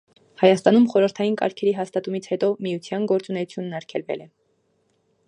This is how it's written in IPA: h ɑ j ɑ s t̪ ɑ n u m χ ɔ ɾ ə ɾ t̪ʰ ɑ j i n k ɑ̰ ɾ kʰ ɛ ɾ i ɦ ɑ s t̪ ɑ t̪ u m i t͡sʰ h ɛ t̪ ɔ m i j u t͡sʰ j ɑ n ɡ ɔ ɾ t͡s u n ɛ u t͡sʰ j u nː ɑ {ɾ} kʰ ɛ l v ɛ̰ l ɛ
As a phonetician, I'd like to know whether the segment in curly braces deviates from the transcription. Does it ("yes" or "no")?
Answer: no